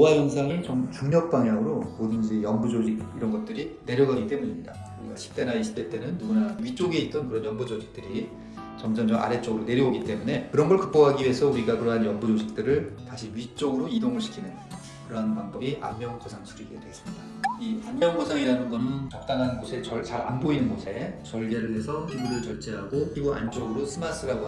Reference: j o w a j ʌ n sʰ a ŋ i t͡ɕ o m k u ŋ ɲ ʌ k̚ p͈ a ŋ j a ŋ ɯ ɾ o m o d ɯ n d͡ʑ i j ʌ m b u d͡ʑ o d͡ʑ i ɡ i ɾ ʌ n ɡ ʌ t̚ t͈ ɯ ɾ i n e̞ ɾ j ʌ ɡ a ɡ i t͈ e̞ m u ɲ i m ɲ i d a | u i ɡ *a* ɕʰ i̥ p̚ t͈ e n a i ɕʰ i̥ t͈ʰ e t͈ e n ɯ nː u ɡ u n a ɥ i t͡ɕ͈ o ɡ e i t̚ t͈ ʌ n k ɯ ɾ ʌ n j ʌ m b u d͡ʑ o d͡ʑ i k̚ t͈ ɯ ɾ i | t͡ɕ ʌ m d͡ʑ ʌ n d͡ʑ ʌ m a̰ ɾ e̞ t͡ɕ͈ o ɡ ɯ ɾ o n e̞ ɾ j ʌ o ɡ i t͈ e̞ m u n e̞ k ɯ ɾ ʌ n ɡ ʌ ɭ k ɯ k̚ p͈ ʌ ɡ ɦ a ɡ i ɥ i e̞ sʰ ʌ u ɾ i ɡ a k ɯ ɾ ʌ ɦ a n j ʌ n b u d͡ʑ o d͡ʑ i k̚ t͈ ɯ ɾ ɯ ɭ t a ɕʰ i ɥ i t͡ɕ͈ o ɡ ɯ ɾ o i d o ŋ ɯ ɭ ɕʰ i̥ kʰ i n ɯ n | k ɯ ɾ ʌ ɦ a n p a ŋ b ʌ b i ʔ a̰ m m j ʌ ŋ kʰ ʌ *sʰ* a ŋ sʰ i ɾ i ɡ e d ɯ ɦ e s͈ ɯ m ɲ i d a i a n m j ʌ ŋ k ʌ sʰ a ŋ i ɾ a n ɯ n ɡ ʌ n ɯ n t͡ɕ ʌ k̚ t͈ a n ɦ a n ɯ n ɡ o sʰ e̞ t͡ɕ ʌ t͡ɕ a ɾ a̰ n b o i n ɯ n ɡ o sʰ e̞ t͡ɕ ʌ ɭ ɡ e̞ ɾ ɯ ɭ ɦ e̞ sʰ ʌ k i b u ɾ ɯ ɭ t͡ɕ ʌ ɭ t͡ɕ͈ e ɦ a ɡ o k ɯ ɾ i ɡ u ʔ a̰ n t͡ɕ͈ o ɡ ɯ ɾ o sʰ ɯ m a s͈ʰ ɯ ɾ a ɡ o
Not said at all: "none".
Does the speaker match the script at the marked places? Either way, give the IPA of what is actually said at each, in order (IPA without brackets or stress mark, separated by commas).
a, sʰ